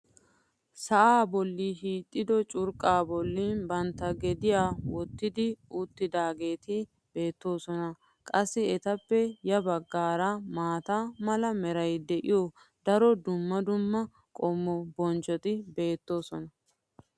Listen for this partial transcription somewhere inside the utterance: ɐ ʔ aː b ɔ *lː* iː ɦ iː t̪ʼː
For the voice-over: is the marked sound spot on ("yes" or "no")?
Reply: yes